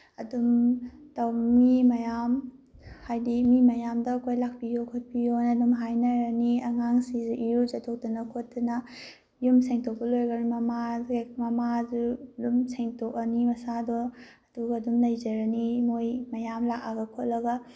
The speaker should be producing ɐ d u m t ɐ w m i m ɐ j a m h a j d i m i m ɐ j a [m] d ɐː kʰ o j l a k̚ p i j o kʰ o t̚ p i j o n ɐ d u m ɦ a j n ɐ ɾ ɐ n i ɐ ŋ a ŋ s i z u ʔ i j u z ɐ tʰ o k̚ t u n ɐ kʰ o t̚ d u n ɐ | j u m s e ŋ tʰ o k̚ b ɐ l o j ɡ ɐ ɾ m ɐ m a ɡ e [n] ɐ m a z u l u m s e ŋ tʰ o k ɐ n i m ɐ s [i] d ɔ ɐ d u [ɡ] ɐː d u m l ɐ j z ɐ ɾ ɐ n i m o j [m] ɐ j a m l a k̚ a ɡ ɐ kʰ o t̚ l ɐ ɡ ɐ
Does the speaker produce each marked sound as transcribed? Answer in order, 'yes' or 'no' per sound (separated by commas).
yes, no, no, yes, yes